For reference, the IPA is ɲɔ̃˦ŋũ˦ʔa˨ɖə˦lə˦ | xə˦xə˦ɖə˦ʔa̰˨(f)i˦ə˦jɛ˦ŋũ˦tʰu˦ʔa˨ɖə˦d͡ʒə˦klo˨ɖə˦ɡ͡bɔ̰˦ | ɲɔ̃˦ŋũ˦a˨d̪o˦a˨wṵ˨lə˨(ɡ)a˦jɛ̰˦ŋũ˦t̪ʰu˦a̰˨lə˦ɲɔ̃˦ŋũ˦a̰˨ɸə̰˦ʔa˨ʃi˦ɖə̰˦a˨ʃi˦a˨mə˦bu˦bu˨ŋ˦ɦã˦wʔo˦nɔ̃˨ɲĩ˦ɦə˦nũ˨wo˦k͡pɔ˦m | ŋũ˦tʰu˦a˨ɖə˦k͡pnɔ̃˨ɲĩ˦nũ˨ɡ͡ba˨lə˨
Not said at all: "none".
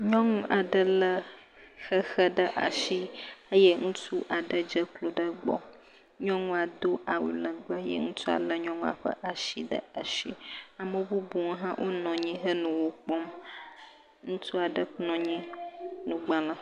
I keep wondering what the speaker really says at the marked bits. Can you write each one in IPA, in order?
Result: ʃ, ɡ͡b

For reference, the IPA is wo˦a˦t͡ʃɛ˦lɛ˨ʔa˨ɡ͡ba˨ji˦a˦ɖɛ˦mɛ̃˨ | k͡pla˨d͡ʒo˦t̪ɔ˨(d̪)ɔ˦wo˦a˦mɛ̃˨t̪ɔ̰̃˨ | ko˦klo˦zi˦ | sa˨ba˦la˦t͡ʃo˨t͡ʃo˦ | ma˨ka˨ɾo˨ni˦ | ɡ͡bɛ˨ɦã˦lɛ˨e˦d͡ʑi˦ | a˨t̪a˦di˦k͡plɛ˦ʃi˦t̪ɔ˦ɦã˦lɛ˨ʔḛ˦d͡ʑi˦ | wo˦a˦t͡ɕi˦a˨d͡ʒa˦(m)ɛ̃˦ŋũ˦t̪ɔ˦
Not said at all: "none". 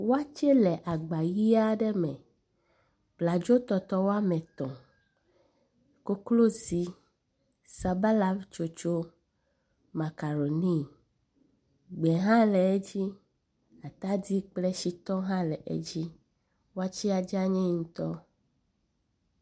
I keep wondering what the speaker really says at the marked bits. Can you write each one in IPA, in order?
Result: t̪, ɲ

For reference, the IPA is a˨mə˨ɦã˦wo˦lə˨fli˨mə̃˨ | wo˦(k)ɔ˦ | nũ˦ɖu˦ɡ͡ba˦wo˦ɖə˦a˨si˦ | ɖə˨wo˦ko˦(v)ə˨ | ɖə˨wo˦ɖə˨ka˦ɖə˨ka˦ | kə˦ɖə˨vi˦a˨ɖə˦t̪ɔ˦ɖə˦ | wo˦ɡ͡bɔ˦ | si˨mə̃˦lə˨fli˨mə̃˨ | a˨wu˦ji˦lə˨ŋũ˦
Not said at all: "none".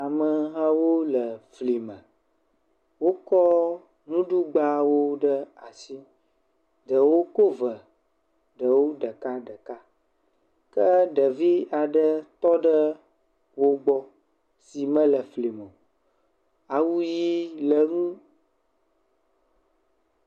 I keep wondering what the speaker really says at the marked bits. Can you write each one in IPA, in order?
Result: k, v

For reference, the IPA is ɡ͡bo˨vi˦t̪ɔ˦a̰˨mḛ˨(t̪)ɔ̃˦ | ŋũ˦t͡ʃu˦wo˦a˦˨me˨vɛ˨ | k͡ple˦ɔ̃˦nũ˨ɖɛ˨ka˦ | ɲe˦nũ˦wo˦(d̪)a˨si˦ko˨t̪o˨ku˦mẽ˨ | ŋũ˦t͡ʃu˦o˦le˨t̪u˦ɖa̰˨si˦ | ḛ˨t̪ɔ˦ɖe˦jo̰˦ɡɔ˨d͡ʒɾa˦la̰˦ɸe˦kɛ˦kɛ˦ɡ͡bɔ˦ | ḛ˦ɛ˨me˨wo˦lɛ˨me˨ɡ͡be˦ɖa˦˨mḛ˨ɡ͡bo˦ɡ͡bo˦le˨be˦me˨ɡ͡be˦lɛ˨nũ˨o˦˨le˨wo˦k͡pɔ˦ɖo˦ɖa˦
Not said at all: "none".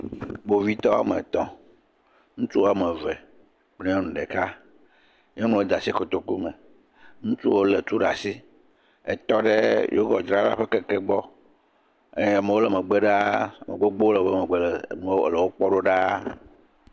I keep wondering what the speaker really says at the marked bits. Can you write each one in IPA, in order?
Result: t̪, d̪

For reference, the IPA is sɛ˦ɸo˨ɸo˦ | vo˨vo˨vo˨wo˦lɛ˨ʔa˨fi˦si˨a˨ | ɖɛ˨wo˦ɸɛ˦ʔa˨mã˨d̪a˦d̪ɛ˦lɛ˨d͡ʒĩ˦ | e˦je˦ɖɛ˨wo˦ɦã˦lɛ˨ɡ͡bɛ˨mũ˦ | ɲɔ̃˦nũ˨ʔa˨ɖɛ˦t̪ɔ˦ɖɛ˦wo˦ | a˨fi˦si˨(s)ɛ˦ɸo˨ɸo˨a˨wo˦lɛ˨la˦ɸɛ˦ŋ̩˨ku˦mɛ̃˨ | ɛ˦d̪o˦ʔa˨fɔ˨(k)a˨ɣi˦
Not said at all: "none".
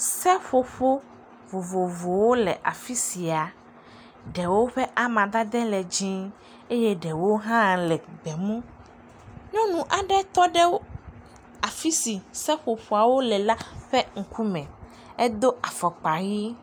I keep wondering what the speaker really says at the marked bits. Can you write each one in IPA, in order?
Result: s, k͡p

